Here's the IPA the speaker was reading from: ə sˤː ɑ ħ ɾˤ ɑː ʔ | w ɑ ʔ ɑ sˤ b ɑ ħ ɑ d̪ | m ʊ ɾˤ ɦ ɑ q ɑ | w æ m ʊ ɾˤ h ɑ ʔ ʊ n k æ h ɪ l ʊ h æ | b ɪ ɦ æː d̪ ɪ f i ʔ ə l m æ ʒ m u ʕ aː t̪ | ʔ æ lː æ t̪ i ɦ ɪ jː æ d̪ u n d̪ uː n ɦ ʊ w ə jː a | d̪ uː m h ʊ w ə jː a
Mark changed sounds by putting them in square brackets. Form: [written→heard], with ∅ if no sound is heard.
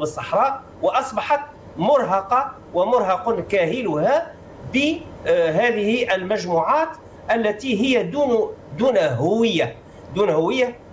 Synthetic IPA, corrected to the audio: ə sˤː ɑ ħ ɾˤ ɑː ʔ | w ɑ ʔ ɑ sˤ b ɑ ħ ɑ [d̪→t̪] | m ʊ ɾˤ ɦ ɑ q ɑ | w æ m ʊ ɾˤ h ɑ [ʔ→q] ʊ n k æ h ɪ l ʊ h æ | b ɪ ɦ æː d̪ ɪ [f→h] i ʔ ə l m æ ʒ m u ʕ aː t̪ | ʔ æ lː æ t̪ i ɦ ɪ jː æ d̪ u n d̪ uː n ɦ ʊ w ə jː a | d̪ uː [m→n] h ʊ w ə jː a

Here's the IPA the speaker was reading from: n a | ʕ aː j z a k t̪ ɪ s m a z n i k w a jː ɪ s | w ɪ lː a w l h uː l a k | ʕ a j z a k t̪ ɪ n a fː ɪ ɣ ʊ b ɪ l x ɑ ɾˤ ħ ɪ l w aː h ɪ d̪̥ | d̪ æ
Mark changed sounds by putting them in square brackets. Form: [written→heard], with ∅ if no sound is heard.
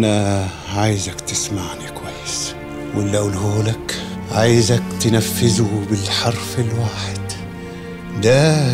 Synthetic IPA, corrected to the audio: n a | ʕ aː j z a k t̪ ɪ s m a [z→ʕ] n i k w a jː ɪ s | w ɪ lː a w l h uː l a k | ʕ a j z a k t̪ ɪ n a fː ɪ [ɣ→z] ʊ b ɪ l [x→ħ] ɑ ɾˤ [ħ→f] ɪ l w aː [h→ħ] ɪ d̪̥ | d̪ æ

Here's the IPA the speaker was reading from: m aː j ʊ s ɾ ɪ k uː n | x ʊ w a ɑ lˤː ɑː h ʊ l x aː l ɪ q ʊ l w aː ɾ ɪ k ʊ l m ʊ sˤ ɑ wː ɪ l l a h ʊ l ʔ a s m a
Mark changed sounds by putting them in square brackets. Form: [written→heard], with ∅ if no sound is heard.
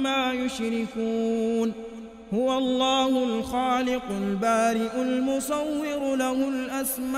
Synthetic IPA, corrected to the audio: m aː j ʊ [s→ʃ] ɾ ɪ k uː n | [x→h] ʊ w a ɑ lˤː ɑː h ʊ l x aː l ɪ q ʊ l [w→b] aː ɾ ɪ [k→ʔ] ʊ l m ʊ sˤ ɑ wː ɪ [l→ɾ] l a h ʊ l ʔ a s m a

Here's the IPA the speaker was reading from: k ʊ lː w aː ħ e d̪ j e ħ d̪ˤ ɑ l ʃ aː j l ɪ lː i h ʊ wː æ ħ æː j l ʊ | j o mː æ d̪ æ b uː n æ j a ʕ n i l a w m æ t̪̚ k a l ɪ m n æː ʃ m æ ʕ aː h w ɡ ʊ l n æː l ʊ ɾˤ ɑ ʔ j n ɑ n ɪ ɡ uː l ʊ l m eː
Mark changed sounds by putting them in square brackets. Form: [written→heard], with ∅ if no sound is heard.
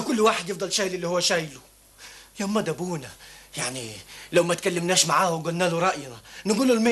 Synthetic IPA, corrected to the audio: k ʊ lː w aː ħ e d̪ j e [ħ→f] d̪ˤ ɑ l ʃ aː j l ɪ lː i h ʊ wː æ [ħ→ʃ] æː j l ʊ | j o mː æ d̪ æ b uː n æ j a ʕ n i l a w m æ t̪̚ k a [l→lː] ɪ m n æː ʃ m [æ→a] ʕ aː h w ɡ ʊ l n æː l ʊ ɾˤ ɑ ʔ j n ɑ n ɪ ɡ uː l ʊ l m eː

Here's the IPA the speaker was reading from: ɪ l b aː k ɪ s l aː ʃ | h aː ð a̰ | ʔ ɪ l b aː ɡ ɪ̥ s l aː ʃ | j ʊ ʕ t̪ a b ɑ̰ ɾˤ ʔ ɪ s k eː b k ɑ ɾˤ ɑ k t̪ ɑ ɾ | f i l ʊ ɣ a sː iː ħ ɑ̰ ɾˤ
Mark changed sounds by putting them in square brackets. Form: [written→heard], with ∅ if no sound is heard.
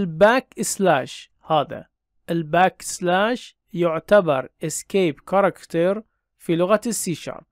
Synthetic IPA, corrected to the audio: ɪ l b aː k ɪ s l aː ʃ | h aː ð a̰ | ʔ ɪ l b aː [ɡ→k] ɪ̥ s l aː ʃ | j ʊ ʕ t̪ a b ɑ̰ ɾˤ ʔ ɪ s k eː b k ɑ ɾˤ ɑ k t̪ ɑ ɾ | f i l ʊ ɣ a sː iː [ħ→ʃ] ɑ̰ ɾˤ

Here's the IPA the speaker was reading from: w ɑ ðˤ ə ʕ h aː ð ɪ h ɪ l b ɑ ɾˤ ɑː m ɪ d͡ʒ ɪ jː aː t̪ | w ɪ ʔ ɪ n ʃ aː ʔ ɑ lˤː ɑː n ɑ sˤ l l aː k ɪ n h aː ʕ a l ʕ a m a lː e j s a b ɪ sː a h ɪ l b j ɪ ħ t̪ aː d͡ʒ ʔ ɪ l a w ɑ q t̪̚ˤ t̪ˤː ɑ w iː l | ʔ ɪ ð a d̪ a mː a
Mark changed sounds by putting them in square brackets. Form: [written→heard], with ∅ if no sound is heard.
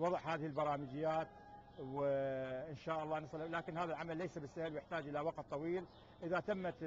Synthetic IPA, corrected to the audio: w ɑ ðˤ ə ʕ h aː ð ɪ h ɪ l b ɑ ɾˤ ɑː m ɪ d͡ʒ ɪ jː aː t̪ | w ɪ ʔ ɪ n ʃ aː ʔ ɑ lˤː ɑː n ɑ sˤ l l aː k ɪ n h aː [ʕ→ð] a l ʕ a m a lː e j s a b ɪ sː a h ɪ l [b→w] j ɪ ħ t̪ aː d͡ʒ ʔ ɪ l a w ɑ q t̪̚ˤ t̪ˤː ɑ w iː l | ʔ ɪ ð a [d̪→t̪] a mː a

